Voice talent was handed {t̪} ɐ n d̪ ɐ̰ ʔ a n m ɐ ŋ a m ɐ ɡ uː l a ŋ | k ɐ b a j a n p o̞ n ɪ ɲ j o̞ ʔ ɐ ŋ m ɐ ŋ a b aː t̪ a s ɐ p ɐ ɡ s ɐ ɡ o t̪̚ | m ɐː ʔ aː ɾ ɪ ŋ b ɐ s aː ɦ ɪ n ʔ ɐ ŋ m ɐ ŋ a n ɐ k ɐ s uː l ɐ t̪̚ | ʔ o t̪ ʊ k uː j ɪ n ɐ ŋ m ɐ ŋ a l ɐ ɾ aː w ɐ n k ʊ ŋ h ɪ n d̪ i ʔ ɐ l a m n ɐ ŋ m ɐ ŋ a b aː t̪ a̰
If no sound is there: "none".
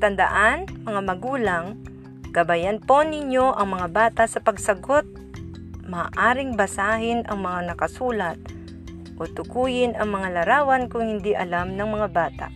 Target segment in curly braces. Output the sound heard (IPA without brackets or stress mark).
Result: t̪